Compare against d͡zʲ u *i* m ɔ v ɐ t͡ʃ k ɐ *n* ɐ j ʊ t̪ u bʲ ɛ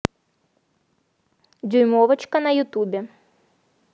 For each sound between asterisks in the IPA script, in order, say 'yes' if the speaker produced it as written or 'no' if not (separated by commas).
no, yes